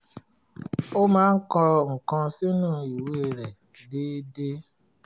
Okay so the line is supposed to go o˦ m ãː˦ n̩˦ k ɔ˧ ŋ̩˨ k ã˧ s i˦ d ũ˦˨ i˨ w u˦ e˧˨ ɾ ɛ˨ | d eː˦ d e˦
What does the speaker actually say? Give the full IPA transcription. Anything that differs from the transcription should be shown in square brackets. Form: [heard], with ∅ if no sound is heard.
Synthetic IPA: o˦ m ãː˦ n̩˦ k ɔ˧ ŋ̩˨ k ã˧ s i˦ [n] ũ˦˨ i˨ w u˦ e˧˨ ɾ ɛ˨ | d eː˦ d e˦